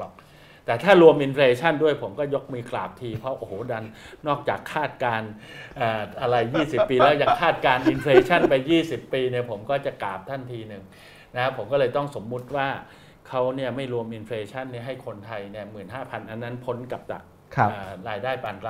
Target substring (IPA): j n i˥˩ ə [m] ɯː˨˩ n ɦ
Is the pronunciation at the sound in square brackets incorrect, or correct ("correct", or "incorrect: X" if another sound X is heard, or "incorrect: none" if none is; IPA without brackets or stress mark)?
correct